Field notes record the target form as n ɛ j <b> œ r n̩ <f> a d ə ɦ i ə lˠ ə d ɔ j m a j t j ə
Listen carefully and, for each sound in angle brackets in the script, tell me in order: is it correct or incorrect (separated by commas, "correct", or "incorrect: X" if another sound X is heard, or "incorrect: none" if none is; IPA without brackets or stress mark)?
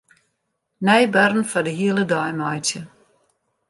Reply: correct, correct